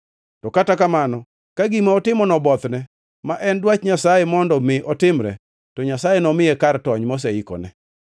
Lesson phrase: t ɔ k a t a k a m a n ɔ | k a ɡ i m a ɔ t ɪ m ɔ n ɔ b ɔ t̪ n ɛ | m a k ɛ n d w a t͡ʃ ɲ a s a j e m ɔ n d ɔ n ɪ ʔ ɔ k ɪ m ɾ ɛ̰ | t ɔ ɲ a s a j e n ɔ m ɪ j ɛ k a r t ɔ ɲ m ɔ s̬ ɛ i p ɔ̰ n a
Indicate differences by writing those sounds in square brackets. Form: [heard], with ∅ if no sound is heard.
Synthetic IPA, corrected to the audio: t ɔ k a t a k a m a n ɔ | k a ɡ i m a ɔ t ɪ m ɔ n ɔ b ɔ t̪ n ɛ | m a [ʔ] ɛ n d w a t͡ʃ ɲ a s a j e m ɔ n d ɔ [m] ɪ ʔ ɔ [t] ɪ m ɾ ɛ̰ | t ɔ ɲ a s a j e n ɔ m ɪ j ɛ k a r t ɔ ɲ m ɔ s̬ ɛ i [k] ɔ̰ n [ɛ]

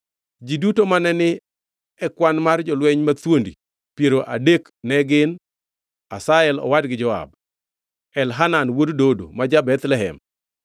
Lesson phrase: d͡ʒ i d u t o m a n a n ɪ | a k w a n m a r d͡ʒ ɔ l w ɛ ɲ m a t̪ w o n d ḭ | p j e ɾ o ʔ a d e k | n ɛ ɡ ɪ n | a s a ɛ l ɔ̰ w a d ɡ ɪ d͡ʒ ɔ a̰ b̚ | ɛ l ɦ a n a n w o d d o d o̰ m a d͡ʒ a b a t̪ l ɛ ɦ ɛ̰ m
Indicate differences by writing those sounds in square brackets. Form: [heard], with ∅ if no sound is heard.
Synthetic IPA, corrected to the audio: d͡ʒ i d u t o m a n [ɛ] n ɪ | [ɛ] k w a n m a r d͡ʒ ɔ l w ɛ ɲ m a t̪ w o n d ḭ | p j e ɾ o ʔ a d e k | n ɛ ɡ ɪ n | a s a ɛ l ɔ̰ w a d ɡ ɪ d͡ʒ ɔ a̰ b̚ | ɛ l ɦ a n a n w o d d o d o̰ m a d͡ʒ a b [ɛ] t̪ l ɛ ɦ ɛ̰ m

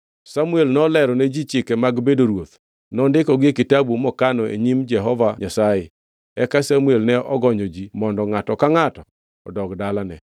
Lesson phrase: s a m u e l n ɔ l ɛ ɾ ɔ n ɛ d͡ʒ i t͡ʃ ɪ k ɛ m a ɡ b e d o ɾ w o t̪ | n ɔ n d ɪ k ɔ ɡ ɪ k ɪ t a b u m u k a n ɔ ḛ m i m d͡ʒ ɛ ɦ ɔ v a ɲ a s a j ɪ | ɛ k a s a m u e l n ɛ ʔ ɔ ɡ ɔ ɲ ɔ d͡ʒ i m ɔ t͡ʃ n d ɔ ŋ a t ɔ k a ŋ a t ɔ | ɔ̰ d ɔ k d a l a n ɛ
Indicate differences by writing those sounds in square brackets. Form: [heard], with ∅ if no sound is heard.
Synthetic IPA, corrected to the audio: s a m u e l n ɔ l ɛ ɾ ɔ n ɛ d͡ʒ i t͡ʃ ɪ k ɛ m a ɡ b e d o ɾ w o t̪ | n ɔ n d ɪ k ɔ ɡ ɪ k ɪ t a b u m [ɔ] k a n ɔ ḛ [ɲ] i m d͡ʒ ɛ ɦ ɔ v a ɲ a s a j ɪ | ɛ k a s a m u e l n ɛ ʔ ɔ ɡ ɔ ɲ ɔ d͡ʒ i m ɔ [∅] n d ɔ ŋ a t ɔ k a ŋ a t ɔ | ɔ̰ d ɔ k d a l a n ɛ

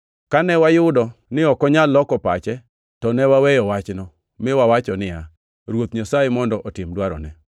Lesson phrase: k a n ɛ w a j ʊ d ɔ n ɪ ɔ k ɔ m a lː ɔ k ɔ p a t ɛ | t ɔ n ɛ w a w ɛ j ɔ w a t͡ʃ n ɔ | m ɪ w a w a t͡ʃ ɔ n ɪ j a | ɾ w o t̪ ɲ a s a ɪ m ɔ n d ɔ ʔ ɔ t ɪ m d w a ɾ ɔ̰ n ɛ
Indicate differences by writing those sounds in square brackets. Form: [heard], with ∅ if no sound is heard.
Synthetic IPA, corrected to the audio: k a n ɛ w a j ʊ d ɔ n ɪ ɔ k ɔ [ɲ] a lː ɔ k ɔ p a [t͡ʃ] ɛ | t ɔ n ɛ w a w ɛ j ɔ w a t͡ʃ n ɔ | m ɪ w a w a t͡ʃ ɔ n ɪ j a | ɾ w o t̪ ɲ a s a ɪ m ɔ n d ɔ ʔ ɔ t ɪ m d w a ɾ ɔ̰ n ɛ

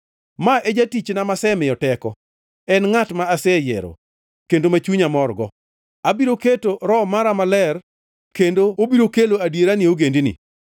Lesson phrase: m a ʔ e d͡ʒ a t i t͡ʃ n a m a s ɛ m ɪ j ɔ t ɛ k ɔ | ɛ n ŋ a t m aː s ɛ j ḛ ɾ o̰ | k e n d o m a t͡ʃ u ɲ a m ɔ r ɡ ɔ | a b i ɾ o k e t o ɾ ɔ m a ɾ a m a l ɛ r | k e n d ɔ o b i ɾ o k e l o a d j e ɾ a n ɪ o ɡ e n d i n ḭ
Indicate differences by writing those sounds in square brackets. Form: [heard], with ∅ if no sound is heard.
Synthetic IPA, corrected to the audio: m a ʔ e d͡ʒ a t i t͡ʃ n a m a s ɛ m ɪ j ɔ t ɛ k ɔ | ɛ n ŋ a t m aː s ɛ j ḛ ɾ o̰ | k e n d o m a t͡ʃ u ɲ a m ɔ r ɡ ɔ | a b i ɾ o k e t o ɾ ɔ m a ɾ a m a l ɛ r | k e n d [o] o b i ɾ o k e l o a d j e ɾ a n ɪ o ɡ e n d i n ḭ

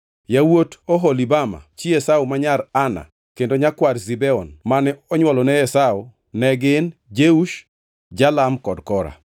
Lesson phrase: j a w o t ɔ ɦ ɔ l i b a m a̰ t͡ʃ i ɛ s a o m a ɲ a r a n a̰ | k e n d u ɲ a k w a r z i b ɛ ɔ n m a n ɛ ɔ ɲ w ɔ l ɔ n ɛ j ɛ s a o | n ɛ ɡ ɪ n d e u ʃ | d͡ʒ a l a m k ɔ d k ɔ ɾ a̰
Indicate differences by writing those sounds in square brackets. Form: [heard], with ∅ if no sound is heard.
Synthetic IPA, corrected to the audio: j a w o t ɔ ɦ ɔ l i b a m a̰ t͡ʃ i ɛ s a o m a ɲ a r a n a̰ | k e n d [o] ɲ a k w a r z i b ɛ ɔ n m a n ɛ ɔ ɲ w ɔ l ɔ n ɛ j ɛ s a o | n ɛ ɡ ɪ n [d͡ʒ] e u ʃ | d͡ʒ a l a m k ɔ d k ɔ ɾ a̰

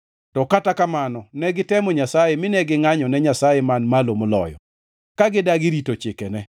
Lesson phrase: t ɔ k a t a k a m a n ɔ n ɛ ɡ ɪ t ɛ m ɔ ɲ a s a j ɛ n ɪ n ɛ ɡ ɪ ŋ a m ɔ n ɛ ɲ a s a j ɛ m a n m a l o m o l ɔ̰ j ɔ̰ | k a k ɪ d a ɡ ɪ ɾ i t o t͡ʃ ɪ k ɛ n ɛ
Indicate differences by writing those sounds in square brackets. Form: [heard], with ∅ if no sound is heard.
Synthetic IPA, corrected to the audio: t ɔ k a t a k a m a n ɔ n ɛ ɡ ɪ t ɛ m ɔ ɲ a s a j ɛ [m] ɪ n ɛ ɡ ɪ ŋ a [ɲ] ɔ n ɛ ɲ a s a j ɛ m a n m a l o m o l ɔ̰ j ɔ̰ | k a [ɡ] ɪ d a ɡ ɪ ɾ i t o t͡ʃ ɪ k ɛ n ɛ

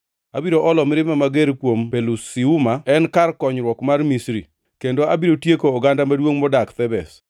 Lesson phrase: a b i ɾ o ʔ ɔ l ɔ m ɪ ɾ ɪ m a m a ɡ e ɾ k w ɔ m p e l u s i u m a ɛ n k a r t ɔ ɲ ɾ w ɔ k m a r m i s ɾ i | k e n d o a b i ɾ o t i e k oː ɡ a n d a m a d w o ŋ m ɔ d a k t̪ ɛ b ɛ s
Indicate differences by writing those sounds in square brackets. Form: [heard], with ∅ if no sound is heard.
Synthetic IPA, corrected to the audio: a b i ɾ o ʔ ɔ l ɔ m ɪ ɾ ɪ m a m a ɡ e ɾ k w [o] m p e l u s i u m a ɛ n k a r [k] ɔ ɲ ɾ w ɔ k m a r m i s ɾ i | k e n d o a b i ɾ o t [j] e k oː ɡ a n d a m a d w o ŋ m ɔ d a k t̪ ɛ b ɛ s

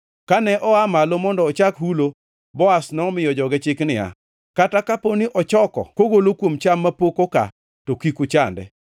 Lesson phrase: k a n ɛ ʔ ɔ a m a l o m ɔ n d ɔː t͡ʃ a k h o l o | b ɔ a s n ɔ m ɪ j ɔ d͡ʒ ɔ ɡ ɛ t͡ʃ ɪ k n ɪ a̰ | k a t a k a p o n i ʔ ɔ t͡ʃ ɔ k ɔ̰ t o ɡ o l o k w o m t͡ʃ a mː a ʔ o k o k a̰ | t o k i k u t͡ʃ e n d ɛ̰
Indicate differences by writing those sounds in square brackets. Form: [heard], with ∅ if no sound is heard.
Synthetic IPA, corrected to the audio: k a n ɛ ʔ ɔ a m a l o m ɔ n d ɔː t͡ʃ a k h [u] l o | b ɔ a s n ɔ m ɪ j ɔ d͡ʒ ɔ ɡ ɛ t͡ʃ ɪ k n ɪ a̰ | k a t a k a p o n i ʔ ɔ t͡ʃ ɔ k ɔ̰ [k] o ɡ o l o k w o m t͡ʃ a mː a [p] o k o k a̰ | t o k i k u t͡ʃ [a] n d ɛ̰

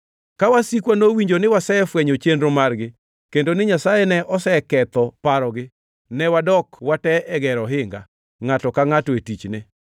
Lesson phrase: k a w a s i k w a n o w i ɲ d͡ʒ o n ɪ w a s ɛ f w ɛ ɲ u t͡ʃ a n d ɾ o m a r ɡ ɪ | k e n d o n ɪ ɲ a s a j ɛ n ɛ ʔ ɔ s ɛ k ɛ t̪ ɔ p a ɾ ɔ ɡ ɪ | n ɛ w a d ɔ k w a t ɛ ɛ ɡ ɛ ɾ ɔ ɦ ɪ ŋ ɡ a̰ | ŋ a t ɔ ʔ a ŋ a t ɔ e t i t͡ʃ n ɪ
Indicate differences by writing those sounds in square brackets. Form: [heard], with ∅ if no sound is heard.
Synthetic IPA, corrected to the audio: k a w a s i k w a n o w i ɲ d͡ʒ o n ɪ w a s ɛ f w ɛ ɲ [o] t͡ʃ [e] n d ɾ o m a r ɡ ɪ | k e n d o n ɪ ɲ a s a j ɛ n ɛ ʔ ɔ s ɛ k ɛ t̪ ɔ p a ɾ ɔ ɡ ɪ | n ɛ w a d ɔ k w a t ɛ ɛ ɡ ɛ ɾ ɔ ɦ ɪ ŋ ɡ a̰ | ŋ a t ɔ [k] a ŋ a t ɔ e t i t͡ʃ n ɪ

